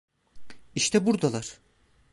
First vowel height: high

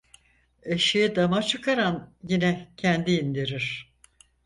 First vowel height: mid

